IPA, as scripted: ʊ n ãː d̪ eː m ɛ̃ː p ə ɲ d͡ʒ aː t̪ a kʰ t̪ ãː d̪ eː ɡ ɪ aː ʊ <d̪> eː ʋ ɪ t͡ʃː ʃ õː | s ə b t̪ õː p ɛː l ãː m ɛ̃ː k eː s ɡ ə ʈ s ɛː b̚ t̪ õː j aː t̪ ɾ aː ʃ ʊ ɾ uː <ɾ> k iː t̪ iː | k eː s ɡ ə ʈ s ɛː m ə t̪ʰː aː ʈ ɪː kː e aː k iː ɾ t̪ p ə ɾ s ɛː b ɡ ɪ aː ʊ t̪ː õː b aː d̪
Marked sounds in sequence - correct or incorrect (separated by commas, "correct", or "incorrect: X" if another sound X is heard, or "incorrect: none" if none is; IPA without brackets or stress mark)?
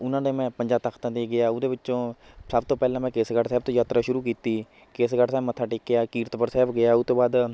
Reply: correct, incorrect: none